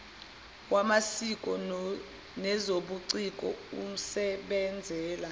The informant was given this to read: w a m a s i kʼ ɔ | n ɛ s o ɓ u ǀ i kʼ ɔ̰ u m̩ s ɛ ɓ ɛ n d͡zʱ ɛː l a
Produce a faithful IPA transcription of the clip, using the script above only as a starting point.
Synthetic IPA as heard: w a m a s i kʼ ɔ | n ɛ z o ɓ u ǀ i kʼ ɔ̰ u m̩ s ɛ ɓ ɛ n d͡zʱ ɛː l a